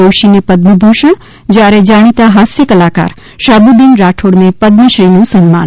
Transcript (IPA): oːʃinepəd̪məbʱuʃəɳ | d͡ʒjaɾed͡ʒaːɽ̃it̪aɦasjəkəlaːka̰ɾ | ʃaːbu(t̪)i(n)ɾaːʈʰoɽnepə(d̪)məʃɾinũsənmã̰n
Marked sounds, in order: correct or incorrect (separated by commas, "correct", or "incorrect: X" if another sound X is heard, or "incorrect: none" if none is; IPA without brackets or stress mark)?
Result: incorrect: d̪, correct, correct